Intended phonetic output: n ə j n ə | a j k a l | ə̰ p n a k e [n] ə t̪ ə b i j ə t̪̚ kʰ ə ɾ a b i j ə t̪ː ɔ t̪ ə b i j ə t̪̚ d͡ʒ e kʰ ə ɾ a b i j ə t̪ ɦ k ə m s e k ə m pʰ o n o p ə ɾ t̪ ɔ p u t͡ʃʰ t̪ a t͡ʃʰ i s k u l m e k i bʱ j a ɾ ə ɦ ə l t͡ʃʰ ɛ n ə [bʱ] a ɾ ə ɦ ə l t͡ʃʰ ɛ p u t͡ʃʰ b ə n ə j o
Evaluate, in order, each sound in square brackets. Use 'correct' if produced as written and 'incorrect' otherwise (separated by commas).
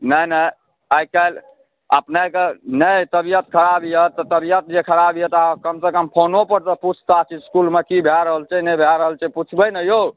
correct, correct